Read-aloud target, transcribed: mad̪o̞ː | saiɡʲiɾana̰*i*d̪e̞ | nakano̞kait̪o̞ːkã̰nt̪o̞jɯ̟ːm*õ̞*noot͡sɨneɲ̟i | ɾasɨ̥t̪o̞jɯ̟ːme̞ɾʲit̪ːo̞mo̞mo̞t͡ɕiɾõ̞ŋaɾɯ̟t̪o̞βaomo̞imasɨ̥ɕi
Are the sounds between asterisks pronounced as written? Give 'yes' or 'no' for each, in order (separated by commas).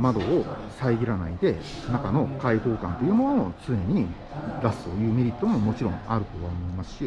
yes, no